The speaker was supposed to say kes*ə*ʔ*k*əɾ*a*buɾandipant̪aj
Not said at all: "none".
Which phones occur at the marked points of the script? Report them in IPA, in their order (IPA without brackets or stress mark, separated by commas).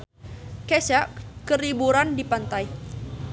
a, k, i